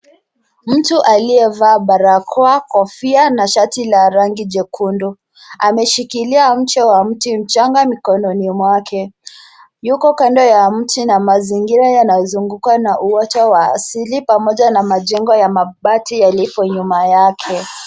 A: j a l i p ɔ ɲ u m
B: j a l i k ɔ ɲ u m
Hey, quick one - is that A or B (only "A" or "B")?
A